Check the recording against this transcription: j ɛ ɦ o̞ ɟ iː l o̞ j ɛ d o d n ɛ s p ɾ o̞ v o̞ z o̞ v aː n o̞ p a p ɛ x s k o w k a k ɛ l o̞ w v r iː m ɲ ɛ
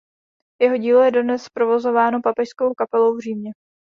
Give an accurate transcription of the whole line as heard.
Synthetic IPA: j ɛ ɦ o̞ ɟ iː l o̞ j ɛ d o d n ɛ s p ɾ o̞ v o̞ z o̞ v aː n o̞ p a p ɛ ʃ s k o w k a p ɛ l o̞ w v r iː m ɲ ɛ